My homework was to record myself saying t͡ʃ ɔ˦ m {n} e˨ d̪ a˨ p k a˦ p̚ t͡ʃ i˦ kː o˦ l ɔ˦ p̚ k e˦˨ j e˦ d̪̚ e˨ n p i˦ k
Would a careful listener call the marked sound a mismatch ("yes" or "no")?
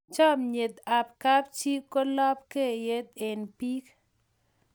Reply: yes